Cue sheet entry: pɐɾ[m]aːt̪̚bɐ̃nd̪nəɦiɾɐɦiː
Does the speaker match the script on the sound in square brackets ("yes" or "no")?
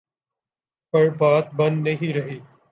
no